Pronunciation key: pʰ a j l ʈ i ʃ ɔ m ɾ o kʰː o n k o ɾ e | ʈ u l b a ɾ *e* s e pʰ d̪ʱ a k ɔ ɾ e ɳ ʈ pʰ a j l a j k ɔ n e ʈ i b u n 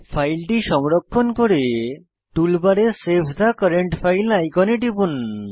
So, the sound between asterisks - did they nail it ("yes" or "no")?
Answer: yes